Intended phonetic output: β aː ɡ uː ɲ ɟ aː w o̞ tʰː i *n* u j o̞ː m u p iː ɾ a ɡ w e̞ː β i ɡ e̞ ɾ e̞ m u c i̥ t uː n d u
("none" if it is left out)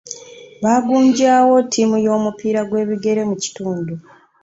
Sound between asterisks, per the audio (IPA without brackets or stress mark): m